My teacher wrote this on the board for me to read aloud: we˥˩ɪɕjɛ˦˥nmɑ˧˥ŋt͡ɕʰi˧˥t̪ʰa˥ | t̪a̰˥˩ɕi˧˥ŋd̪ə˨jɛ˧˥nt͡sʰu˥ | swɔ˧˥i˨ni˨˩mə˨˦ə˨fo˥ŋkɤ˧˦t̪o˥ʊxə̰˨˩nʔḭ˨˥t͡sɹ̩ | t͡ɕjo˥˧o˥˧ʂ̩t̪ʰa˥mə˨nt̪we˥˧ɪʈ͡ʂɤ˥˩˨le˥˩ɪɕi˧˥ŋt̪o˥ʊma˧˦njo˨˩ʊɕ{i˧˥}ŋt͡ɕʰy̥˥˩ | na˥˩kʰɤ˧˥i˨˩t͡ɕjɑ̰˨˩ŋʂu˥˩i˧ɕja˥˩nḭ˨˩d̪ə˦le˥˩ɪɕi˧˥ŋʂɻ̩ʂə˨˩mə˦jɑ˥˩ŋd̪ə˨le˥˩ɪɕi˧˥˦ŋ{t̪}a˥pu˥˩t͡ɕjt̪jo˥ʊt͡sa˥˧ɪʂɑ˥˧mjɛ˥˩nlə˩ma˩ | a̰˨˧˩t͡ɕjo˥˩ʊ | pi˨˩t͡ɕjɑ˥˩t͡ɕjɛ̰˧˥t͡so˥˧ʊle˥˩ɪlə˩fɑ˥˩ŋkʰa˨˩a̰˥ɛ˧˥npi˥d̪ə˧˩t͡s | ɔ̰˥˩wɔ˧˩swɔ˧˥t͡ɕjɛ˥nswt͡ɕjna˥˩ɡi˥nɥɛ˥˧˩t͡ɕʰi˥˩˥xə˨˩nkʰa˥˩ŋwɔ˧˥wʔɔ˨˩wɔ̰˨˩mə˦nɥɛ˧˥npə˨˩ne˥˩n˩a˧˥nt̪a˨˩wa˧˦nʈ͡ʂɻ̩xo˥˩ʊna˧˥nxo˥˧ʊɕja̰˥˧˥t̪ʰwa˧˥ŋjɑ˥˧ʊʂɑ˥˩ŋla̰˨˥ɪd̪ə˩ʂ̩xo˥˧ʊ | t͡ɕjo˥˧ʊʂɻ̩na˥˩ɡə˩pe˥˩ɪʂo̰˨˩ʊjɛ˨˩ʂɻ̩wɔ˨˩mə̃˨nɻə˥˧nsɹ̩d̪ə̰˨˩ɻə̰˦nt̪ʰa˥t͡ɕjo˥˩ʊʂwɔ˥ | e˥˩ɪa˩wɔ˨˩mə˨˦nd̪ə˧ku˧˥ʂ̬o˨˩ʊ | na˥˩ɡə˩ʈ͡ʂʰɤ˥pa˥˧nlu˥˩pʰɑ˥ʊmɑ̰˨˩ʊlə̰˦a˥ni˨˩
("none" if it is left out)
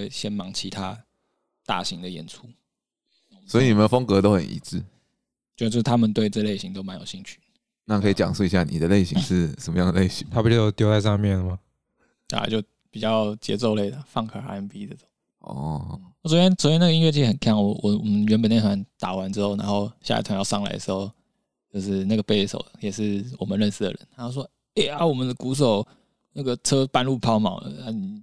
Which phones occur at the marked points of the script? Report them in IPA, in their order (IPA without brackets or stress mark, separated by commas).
i˥˧, t̪ʰ